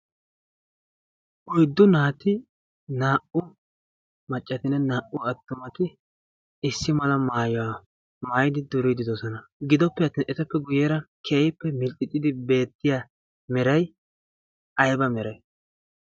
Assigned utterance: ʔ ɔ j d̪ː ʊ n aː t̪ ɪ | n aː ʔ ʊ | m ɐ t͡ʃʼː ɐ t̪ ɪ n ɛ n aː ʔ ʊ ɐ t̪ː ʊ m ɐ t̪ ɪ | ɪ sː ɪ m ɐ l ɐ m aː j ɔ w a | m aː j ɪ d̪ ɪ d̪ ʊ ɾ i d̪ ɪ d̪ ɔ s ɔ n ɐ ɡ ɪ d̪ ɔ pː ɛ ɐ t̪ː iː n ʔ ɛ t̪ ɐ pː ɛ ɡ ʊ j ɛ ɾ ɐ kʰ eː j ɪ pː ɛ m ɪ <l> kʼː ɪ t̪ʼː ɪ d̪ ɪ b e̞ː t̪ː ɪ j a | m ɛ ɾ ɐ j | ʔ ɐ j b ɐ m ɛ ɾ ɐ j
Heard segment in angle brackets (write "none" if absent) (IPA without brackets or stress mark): l